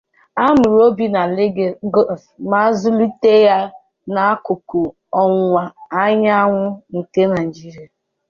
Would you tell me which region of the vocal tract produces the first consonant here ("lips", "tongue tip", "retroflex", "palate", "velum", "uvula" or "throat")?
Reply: lips